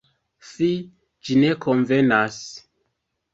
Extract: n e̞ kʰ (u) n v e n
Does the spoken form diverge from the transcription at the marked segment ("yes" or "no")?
yes